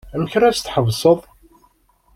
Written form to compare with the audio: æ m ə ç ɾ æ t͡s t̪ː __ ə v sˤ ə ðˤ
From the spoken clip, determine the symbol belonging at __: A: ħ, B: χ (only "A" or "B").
A